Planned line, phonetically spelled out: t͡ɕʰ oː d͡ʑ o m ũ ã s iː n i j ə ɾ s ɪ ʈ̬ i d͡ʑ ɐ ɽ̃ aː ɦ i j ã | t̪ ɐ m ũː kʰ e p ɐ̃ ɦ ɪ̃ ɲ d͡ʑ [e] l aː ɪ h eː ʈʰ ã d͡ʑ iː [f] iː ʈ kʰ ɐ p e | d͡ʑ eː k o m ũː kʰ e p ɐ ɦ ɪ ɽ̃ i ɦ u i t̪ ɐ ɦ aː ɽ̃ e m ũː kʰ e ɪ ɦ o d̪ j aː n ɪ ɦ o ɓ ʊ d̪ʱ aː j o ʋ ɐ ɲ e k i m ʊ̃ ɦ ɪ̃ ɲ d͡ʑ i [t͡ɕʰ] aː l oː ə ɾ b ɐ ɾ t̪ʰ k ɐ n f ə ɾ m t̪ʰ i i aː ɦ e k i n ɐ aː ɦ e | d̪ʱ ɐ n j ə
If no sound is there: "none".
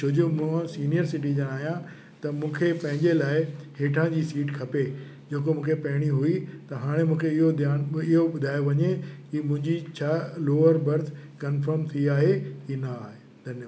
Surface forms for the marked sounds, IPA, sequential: e, s, t͡ɕʰ

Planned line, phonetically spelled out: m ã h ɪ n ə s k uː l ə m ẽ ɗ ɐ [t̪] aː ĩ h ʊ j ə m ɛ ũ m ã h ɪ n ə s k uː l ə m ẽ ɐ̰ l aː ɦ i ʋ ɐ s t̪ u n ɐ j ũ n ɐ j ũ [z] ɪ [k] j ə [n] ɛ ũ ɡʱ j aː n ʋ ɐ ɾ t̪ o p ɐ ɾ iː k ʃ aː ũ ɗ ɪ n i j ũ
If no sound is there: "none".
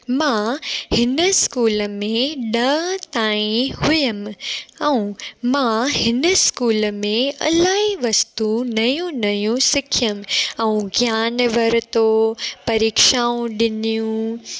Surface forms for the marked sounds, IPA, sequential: t̪, s, kʰ, m

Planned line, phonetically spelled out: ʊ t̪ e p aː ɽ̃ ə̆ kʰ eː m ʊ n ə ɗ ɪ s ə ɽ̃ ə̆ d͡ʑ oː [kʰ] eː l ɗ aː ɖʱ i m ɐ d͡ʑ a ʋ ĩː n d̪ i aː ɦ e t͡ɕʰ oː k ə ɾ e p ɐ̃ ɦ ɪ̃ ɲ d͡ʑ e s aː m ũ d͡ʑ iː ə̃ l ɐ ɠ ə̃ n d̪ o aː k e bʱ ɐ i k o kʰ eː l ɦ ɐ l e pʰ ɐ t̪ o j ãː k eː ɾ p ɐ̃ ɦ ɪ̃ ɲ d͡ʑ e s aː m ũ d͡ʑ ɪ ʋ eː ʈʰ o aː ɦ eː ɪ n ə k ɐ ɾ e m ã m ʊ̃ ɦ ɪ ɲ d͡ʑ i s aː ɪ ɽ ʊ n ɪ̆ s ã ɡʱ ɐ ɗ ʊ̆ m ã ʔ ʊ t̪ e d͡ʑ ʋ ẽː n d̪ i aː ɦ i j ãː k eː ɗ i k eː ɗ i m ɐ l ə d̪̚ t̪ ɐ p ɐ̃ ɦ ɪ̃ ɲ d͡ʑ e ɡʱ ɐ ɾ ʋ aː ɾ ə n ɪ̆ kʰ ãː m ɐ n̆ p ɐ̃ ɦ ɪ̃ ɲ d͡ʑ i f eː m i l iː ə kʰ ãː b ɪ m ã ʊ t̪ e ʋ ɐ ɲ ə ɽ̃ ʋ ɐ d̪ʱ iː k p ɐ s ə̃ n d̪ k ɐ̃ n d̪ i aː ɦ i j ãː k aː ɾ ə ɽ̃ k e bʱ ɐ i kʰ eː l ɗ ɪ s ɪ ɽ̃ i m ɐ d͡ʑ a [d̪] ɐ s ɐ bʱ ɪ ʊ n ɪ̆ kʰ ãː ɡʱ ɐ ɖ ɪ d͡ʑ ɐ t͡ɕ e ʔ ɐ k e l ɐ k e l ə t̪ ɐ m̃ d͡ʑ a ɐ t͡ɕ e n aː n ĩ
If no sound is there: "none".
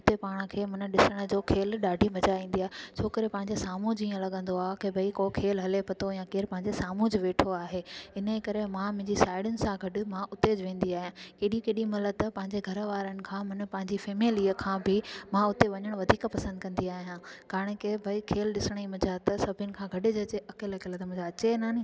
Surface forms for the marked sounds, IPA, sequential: kʰ, t̪

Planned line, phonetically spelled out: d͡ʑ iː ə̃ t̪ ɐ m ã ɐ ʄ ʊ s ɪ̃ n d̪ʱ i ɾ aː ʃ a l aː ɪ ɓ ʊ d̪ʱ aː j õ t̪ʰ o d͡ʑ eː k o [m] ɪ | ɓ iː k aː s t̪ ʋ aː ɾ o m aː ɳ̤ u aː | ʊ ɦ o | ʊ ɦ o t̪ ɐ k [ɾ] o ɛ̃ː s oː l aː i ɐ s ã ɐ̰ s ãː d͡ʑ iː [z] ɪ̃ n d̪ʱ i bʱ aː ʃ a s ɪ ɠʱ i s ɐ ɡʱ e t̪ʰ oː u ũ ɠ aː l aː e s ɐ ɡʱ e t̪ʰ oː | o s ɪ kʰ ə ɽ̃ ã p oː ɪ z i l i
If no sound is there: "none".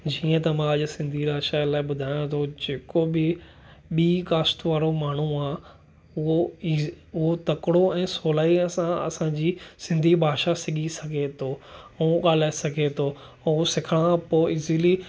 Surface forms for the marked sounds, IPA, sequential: b, ɽ, s

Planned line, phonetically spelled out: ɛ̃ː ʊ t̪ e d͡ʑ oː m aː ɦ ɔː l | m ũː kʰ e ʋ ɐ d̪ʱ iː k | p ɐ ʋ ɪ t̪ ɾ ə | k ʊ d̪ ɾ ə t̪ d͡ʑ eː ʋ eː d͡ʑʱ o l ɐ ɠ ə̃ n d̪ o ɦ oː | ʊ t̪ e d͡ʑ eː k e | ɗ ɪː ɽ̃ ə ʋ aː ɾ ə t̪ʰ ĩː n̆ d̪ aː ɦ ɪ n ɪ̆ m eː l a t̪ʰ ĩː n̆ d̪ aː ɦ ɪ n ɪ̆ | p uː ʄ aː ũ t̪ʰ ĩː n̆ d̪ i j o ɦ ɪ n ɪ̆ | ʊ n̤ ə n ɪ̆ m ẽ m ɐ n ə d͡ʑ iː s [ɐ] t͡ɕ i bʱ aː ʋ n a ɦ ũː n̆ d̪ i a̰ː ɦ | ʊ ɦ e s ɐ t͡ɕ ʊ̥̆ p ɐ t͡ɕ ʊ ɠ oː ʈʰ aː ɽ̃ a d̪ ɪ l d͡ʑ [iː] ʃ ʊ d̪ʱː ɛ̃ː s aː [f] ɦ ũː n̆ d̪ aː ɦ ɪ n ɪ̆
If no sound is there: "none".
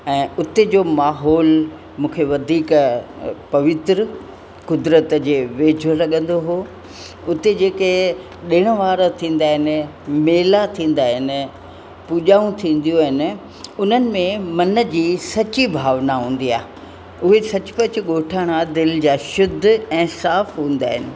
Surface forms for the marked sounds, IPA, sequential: ɐ, aː, f

